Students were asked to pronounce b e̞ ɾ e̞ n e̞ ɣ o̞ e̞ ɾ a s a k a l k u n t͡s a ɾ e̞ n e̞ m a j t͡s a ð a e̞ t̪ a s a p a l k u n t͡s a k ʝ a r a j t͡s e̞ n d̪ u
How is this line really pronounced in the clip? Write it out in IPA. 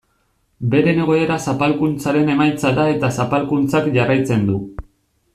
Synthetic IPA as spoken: b e̞ ɾ e̞ n e̞ ɣ o̞ e̞ ɾ a s a p a l k u n t͡s a ɾ e̞ n e̞ m a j t͡s a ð a e̞ t̪ a s a p a l k u n t͡s a k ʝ a r a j t͡s e̞ n d̪ u